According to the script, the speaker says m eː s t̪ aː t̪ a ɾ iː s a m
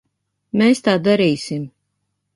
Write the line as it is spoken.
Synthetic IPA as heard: m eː s t̪ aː d̪ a ɾ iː s i m